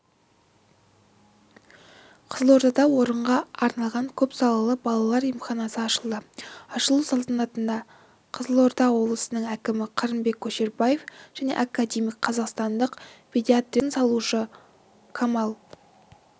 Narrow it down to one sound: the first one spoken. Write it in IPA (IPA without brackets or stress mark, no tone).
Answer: qʰ